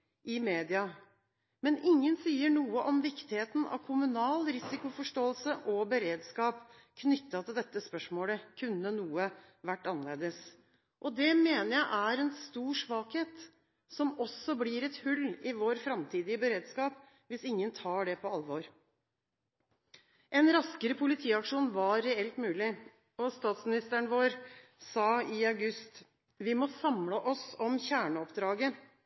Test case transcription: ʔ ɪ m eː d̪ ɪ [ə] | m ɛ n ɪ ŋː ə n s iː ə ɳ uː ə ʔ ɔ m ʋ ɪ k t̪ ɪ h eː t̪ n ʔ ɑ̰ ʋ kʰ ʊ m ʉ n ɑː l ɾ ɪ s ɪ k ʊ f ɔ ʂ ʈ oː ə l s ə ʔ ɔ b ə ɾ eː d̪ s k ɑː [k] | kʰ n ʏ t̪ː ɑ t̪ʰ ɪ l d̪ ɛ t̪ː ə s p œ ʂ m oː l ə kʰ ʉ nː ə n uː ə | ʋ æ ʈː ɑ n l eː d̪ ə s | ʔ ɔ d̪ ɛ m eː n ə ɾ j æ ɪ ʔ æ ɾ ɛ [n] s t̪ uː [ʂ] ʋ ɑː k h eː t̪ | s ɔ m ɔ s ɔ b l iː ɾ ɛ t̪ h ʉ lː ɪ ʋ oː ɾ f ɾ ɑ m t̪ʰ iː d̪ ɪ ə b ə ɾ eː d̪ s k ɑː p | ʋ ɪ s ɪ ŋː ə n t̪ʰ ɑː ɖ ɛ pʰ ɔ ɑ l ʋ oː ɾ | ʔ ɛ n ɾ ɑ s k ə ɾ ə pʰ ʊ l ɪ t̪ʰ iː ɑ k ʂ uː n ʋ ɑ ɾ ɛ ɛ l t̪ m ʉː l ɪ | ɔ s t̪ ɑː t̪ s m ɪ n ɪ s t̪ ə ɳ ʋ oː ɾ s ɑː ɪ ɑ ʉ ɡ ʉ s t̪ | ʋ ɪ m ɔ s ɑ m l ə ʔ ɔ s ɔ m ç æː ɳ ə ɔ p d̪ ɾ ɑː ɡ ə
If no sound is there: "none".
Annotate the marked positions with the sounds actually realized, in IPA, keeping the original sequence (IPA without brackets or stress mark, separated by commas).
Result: ɑ, p, n, ʂ